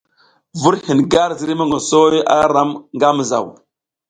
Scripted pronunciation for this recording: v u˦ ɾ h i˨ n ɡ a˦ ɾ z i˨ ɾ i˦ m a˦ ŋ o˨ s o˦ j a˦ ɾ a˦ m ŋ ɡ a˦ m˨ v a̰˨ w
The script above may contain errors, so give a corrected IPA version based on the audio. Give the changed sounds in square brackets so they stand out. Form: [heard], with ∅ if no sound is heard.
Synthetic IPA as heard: v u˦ ɾ h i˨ n ɡ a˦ ɾ z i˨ ɾ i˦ m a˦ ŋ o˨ s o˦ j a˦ ɾ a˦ m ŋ ɡ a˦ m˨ [z] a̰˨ w